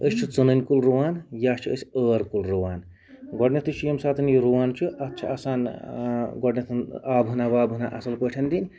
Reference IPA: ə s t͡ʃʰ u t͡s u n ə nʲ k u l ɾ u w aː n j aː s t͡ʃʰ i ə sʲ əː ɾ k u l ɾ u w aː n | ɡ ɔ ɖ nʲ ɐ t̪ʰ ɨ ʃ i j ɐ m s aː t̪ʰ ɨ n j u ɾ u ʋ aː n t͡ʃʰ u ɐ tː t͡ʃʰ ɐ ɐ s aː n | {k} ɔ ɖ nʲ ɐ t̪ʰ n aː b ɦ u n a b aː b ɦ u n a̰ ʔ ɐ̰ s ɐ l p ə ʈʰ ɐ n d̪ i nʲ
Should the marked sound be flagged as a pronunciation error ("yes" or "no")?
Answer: yes